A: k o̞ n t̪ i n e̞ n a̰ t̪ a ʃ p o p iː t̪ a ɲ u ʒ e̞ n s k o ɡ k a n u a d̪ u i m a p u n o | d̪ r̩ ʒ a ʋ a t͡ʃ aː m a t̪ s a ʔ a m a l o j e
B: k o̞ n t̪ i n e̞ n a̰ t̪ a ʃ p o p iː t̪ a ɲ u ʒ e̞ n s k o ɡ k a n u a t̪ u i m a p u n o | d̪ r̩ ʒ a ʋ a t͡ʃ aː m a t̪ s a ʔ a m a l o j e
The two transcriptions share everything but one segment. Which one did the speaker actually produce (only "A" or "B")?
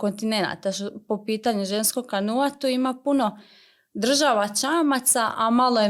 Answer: B